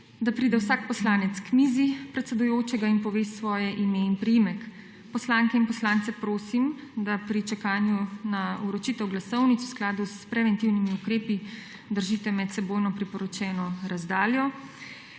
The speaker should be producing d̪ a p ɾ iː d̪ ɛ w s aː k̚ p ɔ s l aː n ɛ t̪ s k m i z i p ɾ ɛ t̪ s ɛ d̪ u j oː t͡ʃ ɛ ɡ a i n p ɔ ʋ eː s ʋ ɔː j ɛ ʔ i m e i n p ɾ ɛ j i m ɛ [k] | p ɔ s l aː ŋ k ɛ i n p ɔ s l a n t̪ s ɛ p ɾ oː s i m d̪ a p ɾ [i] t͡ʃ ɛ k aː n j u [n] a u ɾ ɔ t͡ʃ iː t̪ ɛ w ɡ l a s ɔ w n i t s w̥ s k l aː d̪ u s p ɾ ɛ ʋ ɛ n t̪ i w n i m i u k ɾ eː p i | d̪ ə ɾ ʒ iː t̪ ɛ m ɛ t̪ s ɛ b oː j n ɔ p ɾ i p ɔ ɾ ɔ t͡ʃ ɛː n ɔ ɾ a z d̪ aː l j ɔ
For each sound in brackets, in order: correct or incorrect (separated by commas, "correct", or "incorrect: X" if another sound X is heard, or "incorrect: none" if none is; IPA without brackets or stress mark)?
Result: correct, correct, correct